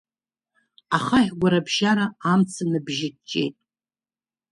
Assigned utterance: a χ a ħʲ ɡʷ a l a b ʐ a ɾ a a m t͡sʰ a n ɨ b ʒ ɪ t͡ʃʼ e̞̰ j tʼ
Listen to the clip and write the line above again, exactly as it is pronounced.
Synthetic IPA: a χ a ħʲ ɡʷ a ɾ a b ʒ a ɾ a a m t͡sʰ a n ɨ b ʒ ɪ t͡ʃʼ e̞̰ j tʼ